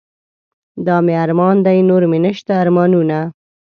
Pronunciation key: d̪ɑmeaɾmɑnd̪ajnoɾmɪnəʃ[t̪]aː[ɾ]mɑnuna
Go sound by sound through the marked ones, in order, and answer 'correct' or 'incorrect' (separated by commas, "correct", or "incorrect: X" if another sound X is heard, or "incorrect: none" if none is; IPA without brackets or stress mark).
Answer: correct, correct